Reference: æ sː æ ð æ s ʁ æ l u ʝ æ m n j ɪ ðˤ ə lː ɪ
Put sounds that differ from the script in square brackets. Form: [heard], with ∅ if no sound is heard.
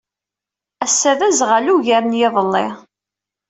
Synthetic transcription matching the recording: æ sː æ ð æ [z] ʁ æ l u ʝ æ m n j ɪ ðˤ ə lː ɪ